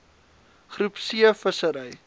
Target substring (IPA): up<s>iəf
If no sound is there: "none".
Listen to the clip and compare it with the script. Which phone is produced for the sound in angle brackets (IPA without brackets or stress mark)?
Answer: s